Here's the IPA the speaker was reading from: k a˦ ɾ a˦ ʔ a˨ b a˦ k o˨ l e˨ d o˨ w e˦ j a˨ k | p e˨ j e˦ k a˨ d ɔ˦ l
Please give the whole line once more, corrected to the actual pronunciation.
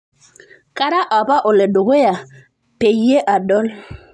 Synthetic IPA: k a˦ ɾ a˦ ʔ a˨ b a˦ ʔ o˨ l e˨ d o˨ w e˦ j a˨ | p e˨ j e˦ ʔ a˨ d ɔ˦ l